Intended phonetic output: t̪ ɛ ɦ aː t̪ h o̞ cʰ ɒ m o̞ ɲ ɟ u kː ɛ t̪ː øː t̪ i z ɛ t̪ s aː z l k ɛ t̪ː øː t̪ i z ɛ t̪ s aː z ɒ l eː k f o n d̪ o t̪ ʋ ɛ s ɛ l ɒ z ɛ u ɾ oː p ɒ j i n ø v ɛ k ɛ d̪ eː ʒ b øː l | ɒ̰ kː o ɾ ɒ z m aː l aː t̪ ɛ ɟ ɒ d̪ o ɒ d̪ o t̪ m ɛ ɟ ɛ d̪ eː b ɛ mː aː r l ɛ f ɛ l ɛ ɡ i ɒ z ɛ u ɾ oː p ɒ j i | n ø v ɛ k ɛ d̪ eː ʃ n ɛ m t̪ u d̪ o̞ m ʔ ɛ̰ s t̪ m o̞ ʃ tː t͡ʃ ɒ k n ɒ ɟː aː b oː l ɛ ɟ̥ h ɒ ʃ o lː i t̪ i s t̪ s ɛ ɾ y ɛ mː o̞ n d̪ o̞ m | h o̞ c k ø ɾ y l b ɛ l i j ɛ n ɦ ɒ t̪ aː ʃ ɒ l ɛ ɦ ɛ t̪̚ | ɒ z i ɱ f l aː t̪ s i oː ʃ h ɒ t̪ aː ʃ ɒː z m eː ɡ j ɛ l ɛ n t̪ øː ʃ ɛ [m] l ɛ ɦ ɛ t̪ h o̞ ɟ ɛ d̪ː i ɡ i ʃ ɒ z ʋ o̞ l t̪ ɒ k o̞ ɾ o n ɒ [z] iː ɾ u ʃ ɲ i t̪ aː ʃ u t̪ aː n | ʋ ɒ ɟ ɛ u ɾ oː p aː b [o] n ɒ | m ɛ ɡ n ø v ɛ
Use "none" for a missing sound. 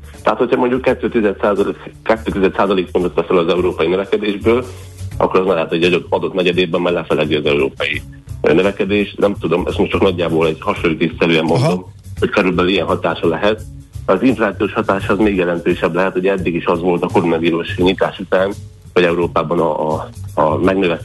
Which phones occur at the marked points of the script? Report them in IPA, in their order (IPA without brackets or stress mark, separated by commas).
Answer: b, v, ɒ